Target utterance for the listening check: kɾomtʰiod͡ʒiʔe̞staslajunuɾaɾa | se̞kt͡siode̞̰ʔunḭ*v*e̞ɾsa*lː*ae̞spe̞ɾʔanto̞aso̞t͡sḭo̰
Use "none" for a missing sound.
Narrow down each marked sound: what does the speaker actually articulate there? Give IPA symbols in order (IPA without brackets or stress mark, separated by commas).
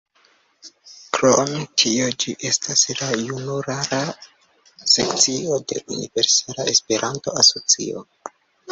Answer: v, l